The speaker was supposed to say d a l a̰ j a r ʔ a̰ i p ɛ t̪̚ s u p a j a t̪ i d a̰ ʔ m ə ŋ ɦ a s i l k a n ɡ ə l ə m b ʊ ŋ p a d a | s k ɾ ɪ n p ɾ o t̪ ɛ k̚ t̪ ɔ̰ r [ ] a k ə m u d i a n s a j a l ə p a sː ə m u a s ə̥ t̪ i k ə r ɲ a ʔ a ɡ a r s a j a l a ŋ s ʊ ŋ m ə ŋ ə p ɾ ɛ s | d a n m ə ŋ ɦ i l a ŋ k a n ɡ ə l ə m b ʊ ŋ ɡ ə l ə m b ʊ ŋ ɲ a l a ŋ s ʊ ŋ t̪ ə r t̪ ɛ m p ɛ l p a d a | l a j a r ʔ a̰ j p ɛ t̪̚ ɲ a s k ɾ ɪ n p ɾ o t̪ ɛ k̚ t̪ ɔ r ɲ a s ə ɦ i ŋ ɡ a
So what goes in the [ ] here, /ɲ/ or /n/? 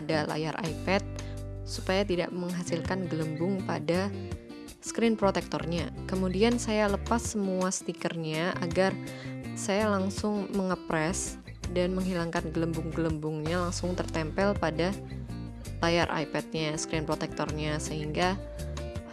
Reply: ɲ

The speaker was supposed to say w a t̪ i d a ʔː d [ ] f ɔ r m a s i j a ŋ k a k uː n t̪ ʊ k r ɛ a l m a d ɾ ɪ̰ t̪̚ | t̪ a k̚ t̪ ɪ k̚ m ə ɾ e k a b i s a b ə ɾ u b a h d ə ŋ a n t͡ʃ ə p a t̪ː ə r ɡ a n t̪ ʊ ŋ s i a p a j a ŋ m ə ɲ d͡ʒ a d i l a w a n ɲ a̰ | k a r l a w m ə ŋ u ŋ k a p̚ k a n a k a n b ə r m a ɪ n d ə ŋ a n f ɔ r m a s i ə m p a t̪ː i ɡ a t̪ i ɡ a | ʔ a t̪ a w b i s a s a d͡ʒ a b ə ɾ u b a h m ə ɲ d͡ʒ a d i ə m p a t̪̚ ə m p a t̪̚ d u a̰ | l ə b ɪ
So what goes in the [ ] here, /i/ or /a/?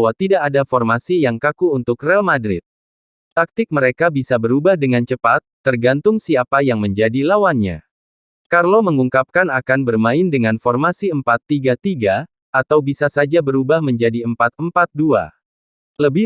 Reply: a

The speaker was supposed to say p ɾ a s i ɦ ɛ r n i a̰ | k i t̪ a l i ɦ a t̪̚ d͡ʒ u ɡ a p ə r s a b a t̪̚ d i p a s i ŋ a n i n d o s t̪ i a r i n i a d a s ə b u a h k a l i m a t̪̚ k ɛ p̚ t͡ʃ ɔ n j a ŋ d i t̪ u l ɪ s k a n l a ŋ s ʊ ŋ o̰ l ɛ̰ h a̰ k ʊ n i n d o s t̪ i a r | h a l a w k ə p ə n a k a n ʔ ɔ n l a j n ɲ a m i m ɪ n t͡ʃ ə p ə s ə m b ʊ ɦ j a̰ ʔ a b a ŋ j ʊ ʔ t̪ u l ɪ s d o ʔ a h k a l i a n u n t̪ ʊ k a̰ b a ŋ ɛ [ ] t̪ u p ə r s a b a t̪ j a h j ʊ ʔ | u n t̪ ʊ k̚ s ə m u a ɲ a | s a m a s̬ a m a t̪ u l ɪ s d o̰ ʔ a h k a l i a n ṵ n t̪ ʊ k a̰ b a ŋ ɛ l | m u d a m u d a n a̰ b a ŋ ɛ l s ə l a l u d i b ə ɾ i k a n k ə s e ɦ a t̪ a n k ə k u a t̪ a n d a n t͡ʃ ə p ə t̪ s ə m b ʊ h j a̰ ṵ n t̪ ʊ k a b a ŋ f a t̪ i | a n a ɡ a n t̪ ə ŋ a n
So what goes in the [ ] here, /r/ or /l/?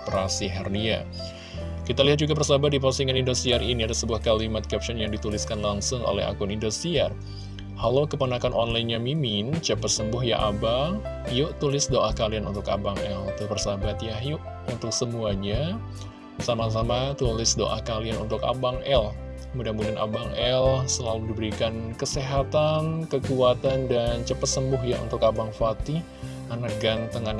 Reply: l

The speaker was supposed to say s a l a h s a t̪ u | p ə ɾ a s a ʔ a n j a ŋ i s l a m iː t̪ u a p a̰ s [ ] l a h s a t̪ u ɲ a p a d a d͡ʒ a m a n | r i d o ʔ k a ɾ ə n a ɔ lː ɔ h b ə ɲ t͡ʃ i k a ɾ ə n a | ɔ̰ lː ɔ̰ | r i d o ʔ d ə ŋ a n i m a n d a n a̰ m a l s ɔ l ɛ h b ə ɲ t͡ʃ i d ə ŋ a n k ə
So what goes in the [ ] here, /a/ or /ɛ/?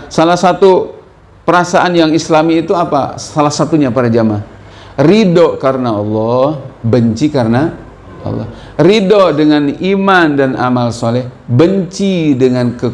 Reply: a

